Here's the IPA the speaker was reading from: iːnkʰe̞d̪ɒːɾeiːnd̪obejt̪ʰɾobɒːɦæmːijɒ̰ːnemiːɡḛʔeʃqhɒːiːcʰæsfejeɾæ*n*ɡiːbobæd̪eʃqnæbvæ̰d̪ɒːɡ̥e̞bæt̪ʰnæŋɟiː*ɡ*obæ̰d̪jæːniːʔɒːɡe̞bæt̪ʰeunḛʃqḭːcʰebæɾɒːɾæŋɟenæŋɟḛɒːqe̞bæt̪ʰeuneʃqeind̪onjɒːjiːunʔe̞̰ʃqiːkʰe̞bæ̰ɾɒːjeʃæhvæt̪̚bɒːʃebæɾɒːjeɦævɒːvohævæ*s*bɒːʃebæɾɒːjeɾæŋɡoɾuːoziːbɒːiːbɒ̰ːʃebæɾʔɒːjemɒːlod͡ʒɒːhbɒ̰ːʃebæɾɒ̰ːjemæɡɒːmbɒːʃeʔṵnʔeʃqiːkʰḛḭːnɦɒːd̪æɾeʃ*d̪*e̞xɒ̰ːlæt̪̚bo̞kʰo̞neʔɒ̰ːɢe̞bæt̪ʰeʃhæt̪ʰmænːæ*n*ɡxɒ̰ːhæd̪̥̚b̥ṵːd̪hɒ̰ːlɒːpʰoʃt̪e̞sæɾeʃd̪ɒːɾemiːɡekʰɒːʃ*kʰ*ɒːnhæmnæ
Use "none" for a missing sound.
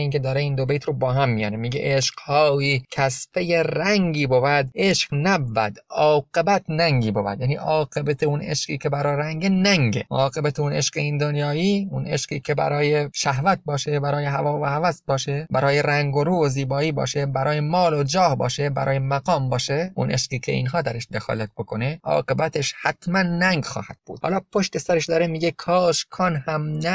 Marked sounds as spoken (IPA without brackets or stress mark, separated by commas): ŋ, b, s, d̪, ŋ, kʰ